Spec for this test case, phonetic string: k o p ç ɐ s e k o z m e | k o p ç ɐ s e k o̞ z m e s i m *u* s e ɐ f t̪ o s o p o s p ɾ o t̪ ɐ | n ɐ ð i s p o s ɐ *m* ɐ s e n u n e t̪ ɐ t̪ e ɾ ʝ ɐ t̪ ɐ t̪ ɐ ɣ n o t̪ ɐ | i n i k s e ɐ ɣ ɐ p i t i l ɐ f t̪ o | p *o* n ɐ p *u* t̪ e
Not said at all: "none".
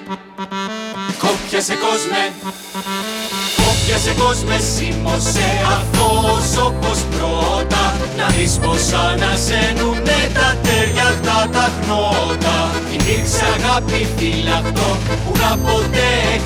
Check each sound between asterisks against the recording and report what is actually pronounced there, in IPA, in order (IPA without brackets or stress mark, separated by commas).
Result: o, n, u, o